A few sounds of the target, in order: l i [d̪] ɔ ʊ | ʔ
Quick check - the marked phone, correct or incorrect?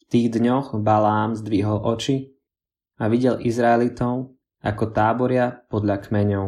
incorrect